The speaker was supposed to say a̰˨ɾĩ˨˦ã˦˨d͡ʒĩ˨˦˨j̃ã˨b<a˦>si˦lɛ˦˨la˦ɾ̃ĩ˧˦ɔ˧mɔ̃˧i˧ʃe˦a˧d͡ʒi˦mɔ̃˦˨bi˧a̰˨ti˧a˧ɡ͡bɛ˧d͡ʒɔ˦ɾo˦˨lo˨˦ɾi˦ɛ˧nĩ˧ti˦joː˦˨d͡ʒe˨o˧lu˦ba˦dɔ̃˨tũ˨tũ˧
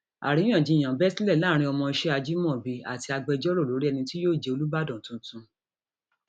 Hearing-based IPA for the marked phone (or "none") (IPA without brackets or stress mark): ɛ˦